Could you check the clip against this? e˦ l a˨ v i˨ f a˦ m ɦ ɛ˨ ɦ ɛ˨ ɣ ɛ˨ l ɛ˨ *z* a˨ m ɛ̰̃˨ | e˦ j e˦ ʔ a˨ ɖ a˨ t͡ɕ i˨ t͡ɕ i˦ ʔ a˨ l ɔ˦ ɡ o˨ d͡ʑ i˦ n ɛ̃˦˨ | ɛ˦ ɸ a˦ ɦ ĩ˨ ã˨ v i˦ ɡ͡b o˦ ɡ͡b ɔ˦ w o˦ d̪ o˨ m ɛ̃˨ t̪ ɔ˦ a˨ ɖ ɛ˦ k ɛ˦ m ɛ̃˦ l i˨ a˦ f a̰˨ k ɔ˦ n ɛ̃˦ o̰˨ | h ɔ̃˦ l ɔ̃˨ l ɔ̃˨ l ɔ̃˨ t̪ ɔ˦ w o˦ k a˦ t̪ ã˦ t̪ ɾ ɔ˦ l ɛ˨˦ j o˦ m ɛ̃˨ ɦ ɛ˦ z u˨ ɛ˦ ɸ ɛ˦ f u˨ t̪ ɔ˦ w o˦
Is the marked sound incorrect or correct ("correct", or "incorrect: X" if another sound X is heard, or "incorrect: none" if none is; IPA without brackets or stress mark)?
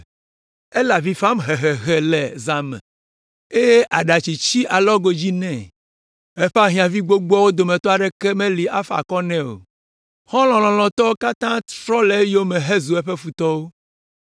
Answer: correct